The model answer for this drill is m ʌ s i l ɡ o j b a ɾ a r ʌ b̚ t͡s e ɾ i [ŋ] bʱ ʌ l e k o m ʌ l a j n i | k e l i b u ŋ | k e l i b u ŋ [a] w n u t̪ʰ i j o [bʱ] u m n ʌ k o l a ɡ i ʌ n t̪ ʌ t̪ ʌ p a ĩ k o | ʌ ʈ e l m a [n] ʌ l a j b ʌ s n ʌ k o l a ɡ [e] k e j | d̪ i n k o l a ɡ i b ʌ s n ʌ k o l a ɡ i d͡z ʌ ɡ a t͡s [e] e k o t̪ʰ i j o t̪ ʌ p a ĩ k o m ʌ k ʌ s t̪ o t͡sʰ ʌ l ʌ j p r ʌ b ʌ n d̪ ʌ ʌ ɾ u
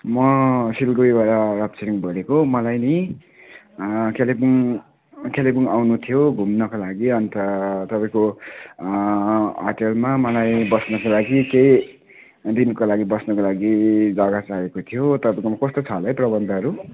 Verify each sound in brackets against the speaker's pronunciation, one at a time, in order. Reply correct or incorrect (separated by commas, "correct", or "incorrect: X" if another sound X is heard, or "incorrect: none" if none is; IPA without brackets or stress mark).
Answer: correct, correct, incorrect: ɡʱ, incorrect: m, incorrect: i, incorrect: a